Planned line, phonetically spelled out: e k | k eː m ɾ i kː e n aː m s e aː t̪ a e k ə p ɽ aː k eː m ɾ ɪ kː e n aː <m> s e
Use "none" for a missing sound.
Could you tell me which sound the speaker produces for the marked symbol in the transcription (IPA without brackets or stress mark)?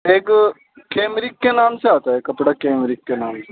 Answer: m